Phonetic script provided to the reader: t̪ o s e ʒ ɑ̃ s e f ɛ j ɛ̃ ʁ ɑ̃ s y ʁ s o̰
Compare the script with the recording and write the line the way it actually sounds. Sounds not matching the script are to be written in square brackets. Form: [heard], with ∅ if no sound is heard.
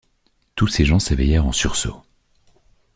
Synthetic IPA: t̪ [u] s e ʒ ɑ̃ s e [v] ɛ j [ɛ] ʁ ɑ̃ s y ʁ s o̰

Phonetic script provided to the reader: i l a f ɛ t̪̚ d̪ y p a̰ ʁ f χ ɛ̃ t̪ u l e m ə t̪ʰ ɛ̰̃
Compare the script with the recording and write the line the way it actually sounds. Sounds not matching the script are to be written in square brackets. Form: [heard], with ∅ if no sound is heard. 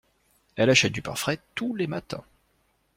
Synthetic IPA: [ɛ] l a [ʃ] ɛ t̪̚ d̪ y p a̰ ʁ f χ [ɛ] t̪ u l e m [a] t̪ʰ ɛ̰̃

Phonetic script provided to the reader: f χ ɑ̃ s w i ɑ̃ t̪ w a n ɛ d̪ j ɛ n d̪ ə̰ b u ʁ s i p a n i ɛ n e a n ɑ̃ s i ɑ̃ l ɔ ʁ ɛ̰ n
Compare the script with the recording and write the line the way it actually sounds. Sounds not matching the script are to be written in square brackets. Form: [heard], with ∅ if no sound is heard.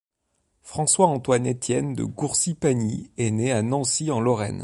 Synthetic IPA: f χ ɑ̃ s w [a] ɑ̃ t̪ w a n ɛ [t̪] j ɛ n d̪ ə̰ [ɡ] u ʁ s i p a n i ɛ n e a n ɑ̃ s i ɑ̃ l ɔ ʁ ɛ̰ n

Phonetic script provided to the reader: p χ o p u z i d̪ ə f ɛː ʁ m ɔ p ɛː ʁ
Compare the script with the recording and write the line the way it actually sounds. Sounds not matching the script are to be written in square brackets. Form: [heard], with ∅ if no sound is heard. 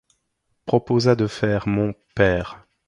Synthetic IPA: p χ [ɔ] p [o] z [a] d̪ ə f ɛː ʁ m [ɔ̃] p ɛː ʁ

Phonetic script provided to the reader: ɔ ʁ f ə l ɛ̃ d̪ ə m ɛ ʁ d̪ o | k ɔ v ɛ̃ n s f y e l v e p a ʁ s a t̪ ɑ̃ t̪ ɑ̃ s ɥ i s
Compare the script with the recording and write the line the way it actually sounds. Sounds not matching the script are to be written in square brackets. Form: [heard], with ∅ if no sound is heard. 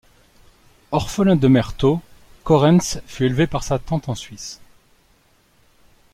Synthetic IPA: ɔ ʁ f ə l ɛ̃ d̪ ə m ɛ ʁ [t̪] o | k ɔ [ʁ] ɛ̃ n s f y e l v e p a ʁ s a t̪ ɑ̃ t̪ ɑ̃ s ɥ i s

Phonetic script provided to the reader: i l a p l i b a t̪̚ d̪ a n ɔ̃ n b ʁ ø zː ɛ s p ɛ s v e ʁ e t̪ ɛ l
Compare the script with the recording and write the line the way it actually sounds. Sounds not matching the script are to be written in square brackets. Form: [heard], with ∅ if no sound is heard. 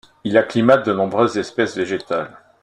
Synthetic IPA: i l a [k] l i [m] a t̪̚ d̪ [ə] n ɔ̃ [∅] b ʁ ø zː ɛ s p ɛ s v e [ʒ] e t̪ [a] l

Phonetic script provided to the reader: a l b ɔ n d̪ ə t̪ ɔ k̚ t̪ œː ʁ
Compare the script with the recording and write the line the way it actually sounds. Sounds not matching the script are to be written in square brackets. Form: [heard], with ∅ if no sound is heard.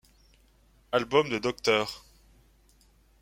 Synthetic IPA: a l b ɔ [m] d̪ ə [d̪] ɔ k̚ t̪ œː ʁ

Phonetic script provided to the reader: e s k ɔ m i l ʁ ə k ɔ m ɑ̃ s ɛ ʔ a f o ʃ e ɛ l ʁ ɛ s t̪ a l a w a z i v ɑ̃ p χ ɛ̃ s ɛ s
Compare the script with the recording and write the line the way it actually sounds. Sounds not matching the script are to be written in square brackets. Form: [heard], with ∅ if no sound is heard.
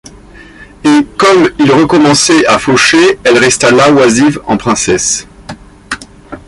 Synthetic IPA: e [∅] k ɔ m i l ʁ ə k ɔ m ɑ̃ s ɛ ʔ a f o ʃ e ɛ l ʁ ɛ s t̪ a l a w a z i v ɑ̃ p χ ɛ̃ s ɛ s

